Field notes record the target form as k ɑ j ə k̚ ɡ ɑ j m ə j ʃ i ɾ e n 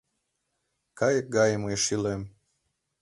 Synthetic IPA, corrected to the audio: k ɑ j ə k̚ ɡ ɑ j m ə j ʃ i l e m